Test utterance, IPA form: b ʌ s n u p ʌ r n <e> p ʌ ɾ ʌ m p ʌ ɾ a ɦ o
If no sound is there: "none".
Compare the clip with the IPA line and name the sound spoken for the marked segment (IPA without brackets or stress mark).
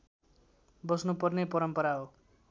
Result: e